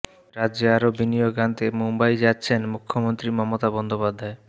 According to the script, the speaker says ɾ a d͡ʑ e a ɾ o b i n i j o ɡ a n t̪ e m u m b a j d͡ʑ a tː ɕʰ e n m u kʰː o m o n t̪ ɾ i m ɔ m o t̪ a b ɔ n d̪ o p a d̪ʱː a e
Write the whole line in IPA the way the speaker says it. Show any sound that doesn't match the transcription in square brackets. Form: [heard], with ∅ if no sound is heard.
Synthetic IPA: ɾ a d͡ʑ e a ɾ o b i n i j o ɡ a n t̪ e m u m b a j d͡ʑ a tː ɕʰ e n m u kʰː o m o n t̪ ɾ i m ɔ m o t̪ a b ɔ n d̪ o p a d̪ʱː a e